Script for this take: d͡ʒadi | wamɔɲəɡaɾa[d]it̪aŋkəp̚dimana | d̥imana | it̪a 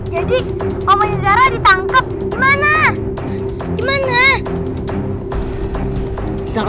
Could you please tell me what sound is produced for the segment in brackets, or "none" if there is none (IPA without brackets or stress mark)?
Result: d